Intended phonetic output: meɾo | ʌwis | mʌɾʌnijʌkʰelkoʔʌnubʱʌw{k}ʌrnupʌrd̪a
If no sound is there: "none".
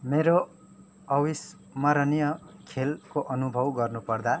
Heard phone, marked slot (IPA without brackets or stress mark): ɡ